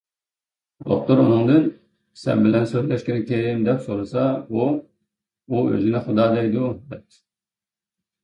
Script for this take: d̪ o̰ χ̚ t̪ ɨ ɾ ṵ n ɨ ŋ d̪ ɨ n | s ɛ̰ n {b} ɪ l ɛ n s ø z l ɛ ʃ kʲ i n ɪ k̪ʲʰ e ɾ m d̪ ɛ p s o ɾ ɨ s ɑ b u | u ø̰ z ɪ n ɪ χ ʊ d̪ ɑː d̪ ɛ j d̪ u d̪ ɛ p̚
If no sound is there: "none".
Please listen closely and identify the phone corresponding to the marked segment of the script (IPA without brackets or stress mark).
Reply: b